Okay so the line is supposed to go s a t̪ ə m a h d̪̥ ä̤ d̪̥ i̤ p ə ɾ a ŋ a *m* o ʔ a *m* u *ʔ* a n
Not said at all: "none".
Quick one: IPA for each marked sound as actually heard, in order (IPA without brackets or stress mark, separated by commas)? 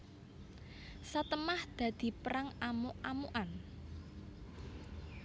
m, m, ʔ